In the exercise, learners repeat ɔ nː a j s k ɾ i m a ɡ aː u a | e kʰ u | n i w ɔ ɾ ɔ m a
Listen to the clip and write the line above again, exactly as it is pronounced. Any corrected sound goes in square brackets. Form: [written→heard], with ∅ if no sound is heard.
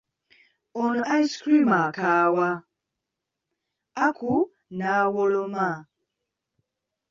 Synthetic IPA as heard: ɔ [nː→n] a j s k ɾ i m a [ɡ→k] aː [u→w] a | [e→a] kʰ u | n [i→a] w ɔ [ɾ→l] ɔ m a